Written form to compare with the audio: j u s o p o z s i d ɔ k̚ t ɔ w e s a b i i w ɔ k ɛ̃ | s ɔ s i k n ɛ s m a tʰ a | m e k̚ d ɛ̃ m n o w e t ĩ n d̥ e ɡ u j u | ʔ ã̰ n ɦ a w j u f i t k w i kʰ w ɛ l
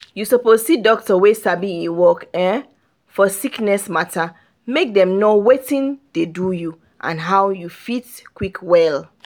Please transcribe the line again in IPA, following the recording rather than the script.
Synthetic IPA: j u s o p o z s i d ɔ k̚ t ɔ w e s a b i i w ɔ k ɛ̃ | f ɔ s i k n ɛ s m a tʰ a | m e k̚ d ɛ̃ m n o w e t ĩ n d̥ e d u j u | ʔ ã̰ n ɦ a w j u f i t k w i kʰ w ɛ l